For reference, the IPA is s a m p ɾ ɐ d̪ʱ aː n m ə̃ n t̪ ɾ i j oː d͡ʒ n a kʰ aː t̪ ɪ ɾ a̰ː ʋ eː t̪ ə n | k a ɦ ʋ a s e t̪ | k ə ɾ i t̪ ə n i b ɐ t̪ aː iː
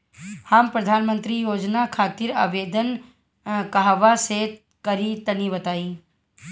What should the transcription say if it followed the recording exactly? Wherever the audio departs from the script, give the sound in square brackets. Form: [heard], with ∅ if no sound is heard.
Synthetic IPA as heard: [h] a m p ɾ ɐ d̪ʱ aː n m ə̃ n t̪ ɾ i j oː d͡ʒ n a kʰ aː t̪ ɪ ɾ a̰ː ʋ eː [d̪] ə n | k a ɦ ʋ a s e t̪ | k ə ɾ i t̪ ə n i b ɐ t̪ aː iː